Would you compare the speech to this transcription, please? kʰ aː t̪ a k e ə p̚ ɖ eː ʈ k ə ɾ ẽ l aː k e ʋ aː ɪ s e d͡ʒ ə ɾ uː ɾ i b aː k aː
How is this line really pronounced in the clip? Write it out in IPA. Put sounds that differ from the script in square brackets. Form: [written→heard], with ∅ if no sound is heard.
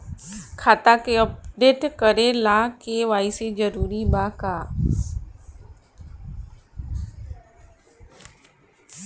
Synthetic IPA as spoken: kʰ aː t̪ a k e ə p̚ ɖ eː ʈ k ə ɾ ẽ l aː k e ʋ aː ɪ s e d͡ʒ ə ɾ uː ɾ i b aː k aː